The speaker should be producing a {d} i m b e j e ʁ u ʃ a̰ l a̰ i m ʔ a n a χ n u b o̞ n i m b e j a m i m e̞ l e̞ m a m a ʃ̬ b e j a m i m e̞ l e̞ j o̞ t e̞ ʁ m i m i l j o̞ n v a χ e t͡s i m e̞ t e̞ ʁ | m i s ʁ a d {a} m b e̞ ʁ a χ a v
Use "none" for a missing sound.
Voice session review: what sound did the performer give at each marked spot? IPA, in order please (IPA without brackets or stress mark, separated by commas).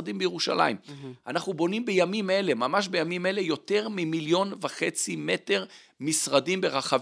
d, i